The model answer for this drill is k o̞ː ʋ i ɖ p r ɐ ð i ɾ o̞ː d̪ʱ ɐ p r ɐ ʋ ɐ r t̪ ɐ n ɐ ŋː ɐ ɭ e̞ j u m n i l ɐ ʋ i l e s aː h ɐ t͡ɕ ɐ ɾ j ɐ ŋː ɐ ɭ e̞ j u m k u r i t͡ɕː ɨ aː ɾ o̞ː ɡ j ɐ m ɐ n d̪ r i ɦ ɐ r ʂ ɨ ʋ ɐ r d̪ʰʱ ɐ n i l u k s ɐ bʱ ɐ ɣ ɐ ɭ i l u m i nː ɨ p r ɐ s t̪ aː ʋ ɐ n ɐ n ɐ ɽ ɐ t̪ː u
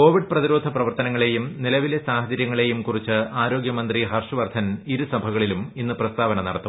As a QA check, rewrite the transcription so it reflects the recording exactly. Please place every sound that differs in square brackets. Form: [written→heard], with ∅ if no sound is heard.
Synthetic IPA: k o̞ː ʋ i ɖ p r ɐ ð i ɾ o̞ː d̪ʱ ɐ p r ɐ ʋ ɐ r t̪ ɐ n ɐ ŋː ɐ ɭ e̞ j u m n i l ɐ ʋ i l e s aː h ɐ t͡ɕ ɐ ɾ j ɐ ŋː ɐ ɭ e̞ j u m k u r i t͡ɕː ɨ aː ɾ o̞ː ɡ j ɐ m ɐ n d̪ r i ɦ ɐ r ʂ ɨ ʋ ɐ r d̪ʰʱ ɐ n i [l→ɾ] u [k→∅] s ɐ bʱ ɐ ɣ ɐ ɭ i l u m i nː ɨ p r ɐ s t̪ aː ʋ ɐ n ɐ n ɐ ɽ ɐ t̪ː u